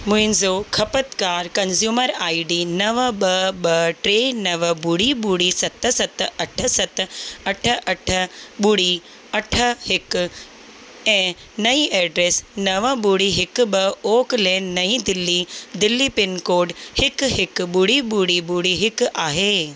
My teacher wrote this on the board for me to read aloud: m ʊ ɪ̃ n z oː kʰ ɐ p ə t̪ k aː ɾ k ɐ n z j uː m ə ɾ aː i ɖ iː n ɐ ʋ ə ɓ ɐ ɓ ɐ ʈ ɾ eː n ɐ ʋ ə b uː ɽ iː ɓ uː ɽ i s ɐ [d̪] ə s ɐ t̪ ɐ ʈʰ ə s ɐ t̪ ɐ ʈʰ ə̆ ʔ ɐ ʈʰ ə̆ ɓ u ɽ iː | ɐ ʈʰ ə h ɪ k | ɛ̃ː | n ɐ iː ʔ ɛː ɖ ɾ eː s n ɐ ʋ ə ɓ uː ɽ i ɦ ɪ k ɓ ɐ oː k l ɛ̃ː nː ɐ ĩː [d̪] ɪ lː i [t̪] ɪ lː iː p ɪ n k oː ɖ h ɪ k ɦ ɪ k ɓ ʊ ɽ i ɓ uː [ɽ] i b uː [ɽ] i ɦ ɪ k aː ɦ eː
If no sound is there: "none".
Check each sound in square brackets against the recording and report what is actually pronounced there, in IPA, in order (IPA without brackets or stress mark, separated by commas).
t̪, d̪, d̪, ɽ, ɽ